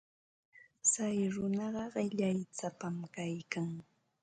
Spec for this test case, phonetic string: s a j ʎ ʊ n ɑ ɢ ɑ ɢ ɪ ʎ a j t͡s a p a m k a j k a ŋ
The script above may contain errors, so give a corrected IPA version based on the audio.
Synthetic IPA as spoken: s a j ɾ ʊ n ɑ ɢ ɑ ɢ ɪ ʎ a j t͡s a p a m k a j k a ŋ